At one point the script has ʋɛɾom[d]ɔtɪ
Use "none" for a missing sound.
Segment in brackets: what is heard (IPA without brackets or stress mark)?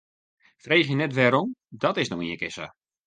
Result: d